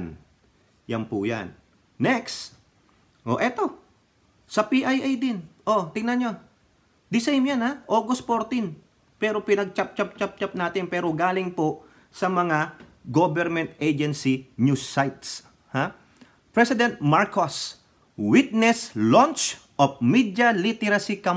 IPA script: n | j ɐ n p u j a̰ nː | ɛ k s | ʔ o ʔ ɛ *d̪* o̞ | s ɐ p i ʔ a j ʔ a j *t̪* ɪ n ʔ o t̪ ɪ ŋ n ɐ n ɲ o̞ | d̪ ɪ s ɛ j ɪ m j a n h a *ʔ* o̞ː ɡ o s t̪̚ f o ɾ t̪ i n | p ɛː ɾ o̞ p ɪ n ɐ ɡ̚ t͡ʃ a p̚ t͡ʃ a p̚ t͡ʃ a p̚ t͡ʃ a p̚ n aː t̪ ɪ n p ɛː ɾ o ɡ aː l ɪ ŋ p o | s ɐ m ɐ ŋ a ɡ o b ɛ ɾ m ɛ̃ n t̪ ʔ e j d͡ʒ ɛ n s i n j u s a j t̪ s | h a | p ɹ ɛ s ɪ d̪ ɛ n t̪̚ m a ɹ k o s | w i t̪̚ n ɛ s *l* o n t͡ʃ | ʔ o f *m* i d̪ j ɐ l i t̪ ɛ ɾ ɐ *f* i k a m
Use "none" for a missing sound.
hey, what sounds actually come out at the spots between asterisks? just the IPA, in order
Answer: t̪, d̪, ʔ, l, m, s

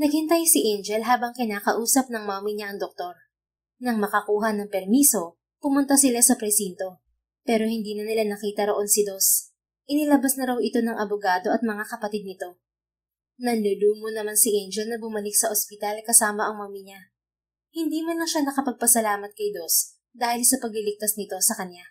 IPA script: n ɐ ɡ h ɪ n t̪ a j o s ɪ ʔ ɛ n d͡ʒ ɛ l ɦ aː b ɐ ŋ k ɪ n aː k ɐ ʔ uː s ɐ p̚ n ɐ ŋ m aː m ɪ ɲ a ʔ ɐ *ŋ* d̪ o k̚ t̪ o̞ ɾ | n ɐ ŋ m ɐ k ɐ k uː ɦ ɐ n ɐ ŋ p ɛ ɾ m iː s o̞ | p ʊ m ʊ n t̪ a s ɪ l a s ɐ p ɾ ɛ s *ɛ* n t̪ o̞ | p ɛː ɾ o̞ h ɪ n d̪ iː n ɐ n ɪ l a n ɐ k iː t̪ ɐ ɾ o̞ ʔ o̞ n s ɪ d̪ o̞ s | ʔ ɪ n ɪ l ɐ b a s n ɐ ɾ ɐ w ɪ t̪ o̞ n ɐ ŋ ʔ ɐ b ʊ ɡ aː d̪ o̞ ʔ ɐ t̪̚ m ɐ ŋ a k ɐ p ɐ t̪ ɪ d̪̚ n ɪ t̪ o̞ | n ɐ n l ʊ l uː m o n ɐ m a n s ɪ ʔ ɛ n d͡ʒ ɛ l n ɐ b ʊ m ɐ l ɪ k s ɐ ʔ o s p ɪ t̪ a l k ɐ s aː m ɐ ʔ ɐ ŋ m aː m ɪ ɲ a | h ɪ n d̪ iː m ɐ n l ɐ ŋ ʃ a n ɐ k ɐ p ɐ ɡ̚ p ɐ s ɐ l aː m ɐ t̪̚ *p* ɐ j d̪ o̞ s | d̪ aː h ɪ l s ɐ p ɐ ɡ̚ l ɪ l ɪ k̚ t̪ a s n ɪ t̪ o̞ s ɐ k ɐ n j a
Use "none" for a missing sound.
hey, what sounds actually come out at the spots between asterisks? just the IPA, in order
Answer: ŋ, i, k

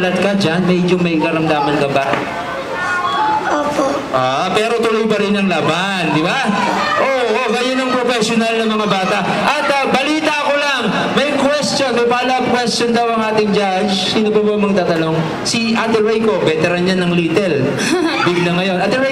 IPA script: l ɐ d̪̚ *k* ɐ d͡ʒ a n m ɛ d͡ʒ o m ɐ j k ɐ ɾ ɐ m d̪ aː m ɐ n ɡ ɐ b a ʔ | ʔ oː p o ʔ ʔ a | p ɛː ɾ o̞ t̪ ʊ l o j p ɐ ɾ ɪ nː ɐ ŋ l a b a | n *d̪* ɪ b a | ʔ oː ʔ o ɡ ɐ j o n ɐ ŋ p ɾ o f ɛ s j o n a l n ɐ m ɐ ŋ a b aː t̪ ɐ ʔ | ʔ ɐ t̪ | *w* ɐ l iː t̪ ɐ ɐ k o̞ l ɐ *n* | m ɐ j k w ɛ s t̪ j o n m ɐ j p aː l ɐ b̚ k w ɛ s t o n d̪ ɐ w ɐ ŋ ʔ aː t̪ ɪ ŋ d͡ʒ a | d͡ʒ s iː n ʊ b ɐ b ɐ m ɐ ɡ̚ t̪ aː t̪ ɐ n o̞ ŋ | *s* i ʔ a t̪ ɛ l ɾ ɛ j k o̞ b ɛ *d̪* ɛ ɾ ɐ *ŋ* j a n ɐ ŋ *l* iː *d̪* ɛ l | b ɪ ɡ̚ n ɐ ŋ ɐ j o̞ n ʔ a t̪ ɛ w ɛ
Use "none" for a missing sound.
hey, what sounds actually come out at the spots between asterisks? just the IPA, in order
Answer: k, d̪, b, ŋ, s, t̪, n, l, t̪

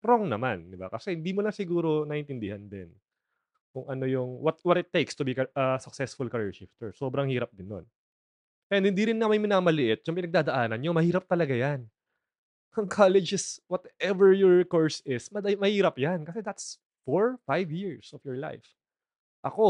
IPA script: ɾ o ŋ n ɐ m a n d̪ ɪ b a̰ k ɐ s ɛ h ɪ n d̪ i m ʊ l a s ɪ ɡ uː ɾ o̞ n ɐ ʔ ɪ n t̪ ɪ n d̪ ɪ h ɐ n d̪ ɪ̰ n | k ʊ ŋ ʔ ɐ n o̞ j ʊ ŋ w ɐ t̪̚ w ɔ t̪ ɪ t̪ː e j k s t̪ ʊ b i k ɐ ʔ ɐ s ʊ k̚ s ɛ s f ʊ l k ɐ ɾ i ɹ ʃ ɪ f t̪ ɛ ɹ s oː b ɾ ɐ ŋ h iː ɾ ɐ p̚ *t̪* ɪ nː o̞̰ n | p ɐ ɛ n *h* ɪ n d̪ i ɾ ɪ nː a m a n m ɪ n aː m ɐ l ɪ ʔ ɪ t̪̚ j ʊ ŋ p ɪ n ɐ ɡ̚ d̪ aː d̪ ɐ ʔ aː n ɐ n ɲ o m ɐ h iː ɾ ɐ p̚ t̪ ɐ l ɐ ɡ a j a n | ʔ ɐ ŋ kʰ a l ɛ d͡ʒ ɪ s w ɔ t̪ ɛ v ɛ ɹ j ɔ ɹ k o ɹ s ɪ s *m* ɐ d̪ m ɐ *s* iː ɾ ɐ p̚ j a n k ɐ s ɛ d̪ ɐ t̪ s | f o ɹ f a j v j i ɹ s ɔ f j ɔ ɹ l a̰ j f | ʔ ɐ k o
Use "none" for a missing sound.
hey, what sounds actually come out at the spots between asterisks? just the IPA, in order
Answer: d̪, h, m, h

